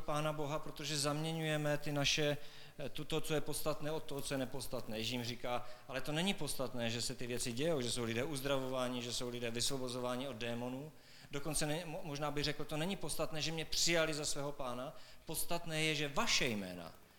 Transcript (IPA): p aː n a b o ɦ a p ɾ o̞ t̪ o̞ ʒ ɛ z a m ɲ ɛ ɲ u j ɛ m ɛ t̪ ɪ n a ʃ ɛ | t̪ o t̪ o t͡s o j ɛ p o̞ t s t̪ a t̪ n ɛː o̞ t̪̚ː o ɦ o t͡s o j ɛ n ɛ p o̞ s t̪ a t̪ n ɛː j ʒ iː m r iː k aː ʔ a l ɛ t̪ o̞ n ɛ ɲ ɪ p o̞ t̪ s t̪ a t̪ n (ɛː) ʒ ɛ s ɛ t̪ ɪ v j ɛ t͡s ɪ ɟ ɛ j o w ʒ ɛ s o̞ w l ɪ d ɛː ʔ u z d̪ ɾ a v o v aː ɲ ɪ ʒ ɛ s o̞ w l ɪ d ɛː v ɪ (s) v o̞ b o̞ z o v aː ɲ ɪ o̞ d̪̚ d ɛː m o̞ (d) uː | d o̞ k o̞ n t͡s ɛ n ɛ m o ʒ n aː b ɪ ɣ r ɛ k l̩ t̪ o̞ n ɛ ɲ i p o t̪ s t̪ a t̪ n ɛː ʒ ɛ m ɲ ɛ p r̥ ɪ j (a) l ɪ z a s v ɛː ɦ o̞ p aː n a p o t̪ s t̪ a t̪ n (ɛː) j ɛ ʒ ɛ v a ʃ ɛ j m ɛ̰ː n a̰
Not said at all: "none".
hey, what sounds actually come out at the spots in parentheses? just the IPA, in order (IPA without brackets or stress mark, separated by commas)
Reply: ɛː, s, n, a, ɛː